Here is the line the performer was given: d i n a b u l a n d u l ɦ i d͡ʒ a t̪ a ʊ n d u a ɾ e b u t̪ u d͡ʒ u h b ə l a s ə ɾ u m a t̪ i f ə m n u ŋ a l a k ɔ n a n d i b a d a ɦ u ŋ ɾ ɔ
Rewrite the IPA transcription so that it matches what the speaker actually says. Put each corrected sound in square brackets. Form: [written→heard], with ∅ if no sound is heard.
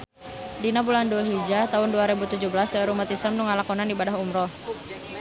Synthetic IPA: d i n a b u l a n d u l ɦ i d͡ʒ a t̪ a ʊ n d u a ɾ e b u t̪ u d͡ʒ u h b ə l a s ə ɾ u m a t̪ i [f→s] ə m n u ŋ a l a k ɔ n a n d i b a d a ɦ u [ŋ→m] ɾ ɔ